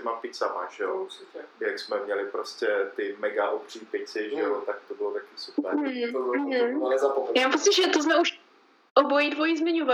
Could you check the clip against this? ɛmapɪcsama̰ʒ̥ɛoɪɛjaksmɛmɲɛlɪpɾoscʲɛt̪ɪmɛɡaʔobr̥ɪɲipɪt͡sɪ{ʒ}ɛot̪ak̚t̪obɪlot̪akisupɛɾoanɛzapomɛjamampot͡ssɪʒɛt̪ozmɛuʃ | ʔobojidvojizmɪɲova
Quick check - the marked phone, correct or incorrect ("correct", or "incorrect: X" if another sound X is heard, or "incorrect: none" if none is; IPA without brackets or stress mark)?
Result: correct